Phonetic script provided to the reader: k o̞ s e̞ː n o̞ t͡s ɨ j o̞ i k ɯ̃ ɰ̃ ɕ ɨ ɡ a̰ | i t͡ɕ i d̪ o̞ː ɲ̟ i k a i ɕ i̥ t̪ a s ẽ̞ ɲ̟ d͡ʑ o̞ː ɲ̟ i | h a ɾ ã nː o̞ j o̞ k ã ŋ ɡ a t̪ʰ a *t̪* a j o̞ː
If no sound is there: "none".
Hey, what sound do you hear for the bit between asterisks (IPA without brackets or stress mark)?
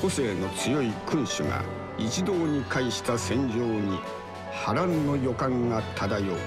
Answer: d̪